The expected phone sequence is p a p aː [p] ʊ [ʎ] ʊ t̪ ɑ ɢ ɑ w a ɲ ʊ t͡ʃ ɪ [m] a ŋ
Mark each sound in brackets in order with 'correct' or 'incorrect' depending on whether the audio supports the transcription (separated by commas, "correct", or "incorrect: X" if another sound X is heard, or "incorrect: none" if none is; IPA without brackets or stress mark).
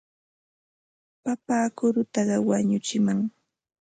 incorrect: k, incorrect: ɾ, correct